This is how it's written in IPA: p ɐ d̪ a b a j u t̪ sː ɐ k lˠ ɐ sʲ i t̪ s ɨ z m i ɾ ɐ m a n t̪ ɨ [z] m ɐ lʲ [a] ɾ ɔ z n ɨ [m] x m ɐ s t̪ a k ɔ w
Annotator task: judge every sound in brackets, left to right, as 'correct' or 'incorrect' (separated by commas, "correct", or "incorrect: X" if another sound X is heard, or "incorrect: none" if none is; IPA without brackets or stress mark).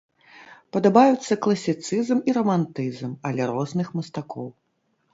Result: correct, incorrect: ɛ, incorrect: none